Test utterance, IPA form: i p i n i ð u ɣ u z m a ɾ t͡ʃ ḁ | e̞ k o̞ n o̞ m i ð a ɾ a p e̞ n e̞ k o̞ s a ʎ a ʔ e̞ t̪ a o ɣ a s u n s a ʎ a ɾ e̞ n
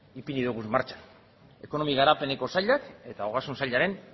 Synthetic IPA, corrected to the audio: i p i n i ð u ɣ u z m a ɾ t͡ʃ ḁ | e̞ k o̞ n o̞ m i ɣ a ɾ a p e̞ n e̞ k o̞ s a ʎ a k e̞ t̪ a o ɣ a s u n s a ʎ a ɾ e̞ n